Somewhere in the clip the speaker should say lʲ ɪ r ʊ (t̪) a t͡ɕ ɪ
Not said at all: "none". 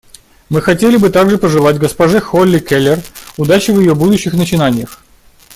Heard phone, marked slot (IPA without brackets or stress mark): d̪